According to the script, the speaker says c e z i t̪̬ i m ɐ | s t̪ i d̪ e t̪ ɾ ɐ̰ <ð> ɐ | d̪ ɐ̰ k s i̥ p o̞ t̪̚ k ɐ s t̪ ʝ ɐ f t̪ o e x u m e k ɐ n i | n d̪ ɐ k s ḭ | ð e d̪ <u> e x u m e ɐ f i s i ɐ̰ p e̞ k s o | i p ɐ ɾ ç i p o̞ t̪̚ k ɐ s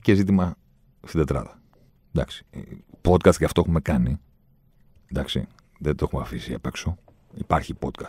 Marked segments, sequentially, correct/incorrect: correct, incorrect

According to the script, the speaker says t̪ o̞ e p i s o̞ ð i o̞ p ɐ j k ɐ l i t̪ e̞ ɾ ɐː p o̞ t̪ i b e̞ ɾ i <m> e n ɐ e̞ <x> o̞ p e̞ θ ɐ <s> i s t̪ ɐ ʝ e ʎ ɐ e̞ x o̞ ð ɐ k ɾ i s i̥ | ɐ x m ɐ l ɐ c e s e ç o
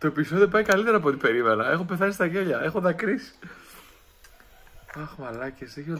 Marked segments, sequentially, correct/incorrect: correct, correct, correct

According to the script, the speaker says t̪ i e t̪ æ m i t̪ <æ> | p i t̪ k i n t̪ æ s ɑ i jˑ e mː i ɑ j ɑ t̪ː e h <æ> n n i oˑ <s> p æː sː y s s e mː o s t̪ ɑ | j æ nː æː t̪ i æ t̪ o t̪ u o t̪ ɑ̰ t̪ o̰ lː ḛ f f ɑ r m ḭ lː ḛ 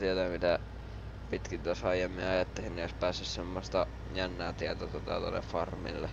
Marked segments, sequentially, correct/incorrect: correct, incorrect, correct

